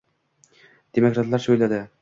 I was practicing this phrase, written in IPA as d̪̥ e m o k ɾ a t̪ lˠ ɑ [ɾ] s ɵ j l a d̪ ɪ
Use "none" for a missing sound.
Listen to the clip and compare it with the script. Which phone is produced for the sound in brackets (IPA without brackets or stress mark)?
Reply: ɾ